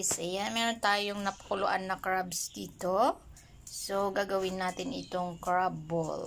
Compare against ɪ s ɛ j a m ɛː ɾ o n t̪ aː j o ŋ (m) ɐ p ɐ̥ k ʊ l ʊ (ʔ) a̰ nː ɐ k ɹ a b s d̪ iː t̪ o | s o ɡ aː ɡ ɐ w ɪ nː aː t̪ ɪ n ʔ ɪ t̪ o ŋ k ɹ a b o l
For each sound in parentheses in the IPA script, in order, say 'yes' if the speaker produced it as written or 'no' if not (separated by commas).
no, yes